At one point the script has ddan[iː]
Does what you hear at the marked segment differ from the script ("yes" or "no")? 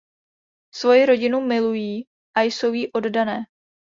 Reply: yes